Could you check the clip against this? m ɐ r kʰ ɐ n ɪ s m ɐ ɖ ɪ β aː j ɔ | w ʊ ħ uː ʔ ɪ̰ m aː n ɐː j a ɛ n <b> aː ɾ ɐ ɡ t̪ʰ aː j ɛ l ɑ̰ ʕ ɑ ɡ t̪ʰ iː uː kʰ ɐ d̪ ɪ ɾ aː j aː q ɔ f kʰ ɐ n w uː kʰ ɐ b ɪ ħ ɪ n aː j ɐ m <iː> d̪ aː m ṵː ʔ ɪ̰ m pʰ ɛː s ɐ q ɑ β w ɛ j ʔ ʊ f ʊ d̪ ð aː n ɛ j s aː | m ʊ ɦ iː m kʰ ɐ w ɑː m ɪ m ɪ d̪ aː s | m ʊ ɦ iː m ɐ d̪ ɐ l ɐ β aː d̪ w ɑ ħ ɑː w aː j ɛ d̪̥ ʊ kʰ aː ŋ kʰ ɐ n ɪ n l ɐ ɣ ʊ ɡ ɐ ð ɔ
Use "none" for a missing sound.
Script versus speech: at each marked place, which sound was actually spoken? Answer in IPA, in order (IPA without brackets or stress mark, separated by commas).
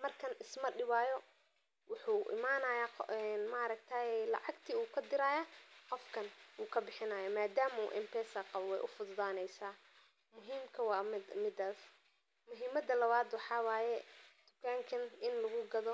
m, aː